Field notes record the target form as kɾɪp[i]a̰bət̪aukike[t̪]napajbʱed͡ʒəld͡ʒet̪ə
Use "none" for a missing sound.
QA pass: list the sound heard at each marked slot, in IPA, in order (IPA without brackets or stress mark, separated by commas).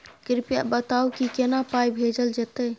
j, none